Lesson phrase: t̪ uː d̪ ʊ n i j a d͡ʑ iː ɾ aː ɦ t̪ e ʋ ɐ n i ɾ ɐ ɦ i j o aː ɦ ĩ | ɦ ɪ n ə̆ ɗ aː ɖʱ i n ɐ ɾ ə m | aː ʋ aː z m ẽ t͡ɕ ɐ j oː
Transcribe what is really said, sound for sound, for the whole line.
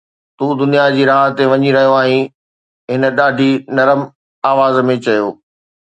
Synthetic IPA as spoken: t̪ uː d̪ ʊ n i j a d͡ʑ iː ɾ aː ɦ t̪ e ʋ ɐ ɲ i ɾ ɐ ɦ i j o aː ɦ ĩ | ɦ ɪ n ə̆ ɗ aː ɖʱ i n ɐ ɾ ə m | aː ʋ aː z m ẽ t͡ɕ ɐ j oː

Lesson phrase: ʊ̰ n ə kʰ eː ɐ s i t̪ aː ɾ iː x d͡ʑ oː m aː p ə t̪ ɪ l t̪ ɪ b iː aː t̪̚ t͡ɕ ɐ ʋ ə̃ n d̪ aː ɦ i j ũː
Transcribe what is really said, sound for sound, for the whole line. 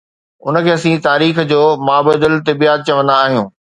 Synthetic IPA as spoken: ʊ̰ n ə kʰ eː ɐ s ĩ t̪ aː ɾ iː x d͡ʑ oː m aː b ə d̪ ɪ l t̪ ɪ b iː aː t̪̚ t͡ɕ ɐ ʋ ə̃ n d̪ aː ɦ i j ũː

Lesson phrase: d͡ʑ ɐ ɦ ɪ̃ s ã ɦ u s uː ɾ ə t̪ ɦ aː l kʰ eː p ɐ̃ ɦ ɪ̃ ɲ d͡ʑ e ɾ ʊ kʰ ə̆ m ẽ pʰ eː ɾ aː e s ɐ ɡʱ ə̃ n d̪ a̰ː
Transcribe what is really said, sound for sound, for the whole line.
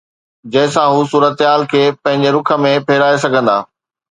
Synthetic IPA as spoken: d͡ʑ ɐ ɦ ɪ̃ s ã ɦ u s uː ɾ ə t̪ ɦ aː l kʰ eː p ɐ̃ ɦ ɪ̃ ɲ d͡ʑ e ɾ ʊ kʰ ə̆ m ẽ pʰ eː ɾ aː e s ɐ ɡʱ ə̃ n d̪ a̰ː

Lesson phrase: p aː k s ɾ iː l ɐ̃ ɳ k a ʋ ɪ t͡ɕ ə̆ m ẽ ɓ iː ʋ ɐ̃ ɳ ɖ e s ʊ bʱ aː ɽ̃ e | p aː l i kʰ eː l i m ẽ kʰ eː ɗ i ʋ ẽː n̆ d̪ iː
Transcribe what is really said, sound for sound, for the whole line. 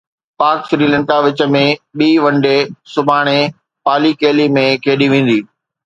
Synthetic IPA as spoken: p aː k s ɾ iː l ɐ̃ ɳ k a ʋ ɪ t͡ɕ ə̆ m ẽ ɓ iː ʋ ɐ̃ ɳ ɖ e s ʊ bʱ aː ɽ̃ e | p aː l i k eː l i m ẽ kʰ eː ɗ i ʋ ẽː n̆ d̪ iː

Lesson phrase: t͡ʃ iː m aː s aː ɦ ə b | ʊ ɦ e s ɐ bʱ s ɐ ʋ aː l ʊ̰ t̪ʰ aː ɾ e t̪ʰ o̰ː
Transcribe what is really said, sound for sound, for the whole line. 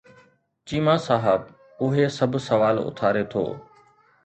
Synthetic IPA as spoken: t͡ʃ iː m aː s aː ɦ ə b | ʊ ɦ e s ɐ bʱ s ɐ ʋ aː l ʊ̰ t̪ʰ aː ɾ e t̪ʰ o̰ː

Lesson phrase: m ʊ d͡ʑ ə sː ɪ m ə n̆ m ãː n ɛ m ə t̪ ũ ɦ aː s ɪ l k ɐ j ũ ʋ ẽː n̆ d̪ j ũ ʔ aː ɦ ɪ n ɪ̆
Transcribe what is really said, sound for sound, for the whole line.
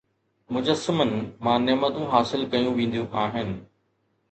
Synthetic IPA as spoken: m ʊ d͡ʑ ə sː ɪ m ə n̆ m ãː n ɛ m ə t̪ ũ ɦ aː s ɪ l k ɐ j ũ ʋ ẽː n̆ d̪ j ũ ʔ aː ɦ ɪ n ɪ̆

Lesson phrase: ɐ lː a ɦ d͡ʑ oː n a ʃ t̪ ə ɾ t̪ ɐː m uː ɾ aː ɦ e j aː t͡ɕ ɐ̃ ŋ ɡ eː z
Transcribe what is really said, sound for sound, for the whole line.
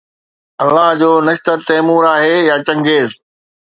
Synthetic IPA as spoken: ɐ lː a ɦ d͡ʑ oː n ɐ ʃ t̪ ə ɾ t̪ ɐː m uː ɾ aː ɦ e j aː t͡ɕ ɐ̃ ŋ ɡ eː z

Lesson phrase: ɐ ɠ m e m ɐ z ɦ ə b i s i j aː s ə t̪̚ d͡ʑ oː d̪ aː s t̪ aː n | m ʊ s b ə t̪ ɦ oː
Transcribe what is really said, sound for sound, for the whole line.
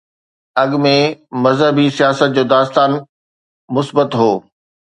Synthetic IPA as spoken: ɐ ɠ m ẽ m ɐ z ɦ ə b i s i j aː s ə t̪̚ d͡ʑ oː d̪ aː s t̪ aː n | m ʊ s b ə t̪ ɦ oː

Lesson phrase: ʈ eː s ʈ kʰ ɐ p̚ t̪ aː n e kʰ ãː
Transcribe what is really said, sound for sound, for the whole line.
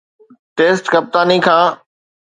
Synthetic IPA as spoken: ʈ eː s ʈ k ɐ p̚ t̪ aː n i kʰ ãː

